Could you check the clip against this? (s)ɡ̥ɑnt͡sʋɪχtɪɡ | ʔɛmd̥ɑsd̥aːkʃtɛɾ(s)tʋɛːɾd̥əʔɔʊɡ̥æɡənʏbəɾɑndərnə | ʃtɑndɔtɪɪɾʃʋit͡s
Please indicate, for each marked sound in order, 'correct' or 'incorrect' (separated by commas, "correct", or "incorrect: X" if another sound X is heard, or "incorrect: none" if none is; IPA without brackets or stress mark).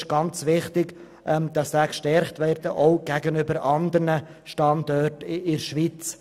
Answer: incorrect: ʃ, incorrect: χ